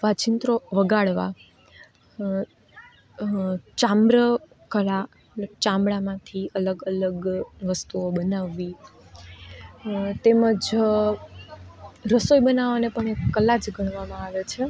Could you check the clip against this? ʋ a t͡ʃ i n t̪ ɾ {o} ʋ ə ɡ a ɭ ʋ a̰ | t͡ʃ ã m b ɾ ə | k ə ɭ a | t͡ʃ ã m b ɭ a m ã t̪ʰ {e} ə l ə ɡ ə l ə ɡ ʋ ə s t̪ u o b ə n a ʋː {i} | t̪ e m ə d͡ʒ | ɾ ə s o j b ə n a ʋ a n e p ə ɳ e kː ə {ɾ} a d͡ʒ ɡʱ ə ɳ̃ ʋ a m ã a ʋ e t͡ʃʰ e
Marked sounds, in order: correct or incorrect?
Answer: correct, incorrect, correct, incorrect

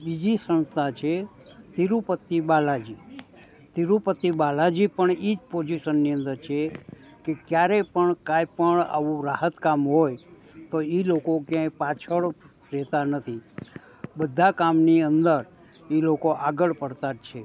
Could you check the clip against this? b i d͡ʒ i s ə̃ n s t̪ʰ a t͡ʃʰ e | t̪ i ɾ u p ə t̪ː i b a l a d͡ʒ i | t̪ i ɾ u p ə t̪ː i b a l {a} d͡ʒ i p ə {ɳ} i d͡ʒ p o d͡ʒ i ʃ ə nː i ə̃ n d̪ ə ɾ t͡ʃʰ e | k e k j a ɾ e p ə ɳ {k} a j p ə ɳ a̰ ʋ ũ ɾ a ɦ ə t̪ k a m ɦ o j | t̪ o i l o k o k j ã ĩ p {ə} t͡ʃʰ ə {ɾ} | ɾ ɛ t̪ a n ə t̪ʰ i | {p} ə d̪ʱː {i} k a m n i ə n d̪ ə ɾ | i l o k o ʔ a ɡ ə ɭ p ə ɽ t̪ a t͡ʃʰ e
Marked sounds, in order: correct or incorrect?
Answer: correct, correct, correct, incorrect, incorrect, incorrect, incorrect

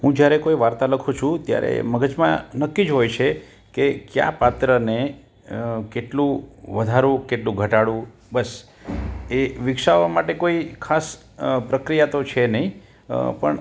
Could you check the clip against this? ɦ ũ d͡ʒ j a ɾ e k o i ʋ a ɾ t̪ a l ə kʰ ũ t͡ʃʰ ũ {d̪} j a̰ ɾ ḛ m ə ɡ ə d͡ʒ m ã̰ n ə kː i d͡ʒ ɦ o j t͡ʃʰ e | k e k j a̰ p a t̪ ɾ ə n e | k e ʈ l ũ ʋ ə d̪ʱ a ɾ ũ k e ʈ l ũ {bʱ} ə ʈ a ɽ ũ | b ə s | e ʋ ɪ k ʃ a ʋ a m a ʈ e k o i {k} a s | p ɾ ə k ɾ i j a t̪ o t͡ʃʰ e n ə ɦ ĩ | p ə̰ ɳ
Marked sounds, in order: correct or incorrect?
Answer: incorrect, incorrect, incorrect

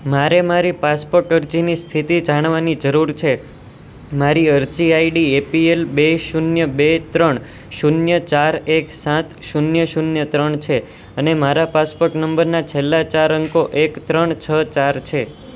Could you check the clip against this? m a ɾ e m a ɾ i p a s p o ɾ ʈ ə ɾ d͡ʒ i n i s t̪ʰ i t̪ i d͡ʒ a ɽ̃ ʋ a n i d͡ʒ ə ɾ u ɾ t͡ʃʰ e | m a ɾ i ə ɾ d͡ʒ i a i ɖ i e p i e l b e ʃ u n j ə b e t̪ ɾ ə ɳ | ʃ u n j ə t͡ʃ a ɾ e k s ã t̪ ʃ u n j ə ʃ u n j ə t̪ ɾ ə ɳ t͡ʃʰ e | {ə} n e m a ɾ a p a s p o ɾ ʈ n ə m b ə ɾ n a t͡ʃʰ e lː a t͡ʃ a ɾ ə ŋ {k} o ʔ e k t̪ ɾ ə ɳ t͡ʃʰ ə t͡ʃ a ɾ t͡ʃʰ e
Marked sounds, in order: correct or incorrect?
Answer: correct, correct

